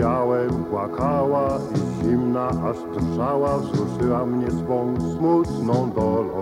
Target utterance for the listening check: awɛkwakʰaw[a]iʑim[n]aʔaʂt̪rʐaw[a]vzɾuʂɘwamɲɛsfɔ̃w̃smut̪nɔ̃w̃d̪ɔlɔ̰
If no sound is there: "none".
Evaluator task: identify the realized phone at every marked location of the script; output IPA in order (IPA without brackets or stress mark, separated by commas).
a, n, a